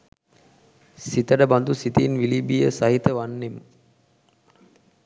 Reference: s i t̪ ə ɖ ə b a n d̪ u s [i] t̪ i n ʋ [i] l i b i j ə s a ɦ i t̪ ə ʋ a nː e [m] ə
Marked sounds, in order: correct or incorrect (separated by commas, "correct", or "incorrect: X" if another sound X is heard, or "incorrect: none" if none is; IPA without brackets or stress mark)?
correct, correct, correct